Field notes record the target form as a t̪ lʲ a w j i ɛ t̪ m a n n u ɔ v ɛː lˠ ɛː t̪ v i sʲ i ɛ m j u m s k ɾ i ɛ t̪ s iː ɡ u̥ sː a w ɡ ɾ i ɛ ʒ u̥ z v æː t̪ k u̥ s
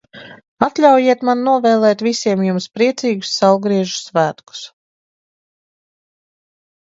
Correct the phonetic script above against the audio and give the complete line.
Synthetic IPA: a t̪ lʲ a w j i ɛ t̪ m a n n u ɔ v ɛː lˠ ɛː t̪ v i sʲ i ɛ m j u m s p ɾ i ɛ t̪ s iː ɡ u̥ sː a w ɡ ɾ i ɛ ʒ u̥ s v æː t̪ k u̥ s